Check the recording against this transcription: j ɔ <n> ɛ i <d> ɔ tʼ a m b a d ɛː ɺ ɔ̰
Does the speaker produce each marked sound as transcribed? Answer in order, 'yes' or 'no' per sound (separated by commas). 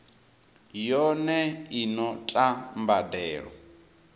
yes, no